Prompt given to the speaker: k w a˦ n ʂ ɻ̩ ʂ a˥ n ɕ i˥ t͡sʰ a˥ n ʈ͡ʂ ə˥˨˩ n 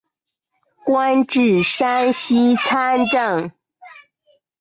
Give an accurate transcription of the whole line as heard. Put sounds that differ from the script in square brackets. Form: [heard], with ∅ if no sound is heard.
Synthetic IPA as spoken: k w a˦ n [ʈ͡ʂ] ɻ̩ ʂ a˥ n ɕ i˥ t͡sʰ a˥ n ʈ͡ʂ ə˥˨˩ [ŋ]